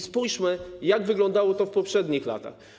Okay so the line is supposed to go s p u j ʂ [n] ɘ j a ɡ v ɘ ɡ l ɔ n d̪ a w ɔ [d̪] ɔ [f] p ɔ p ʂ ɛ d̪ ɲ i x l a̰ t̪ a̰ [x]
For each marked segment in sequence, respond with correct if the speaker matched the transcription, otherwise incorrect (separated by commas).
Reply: incorrect, incorrect, correct, correct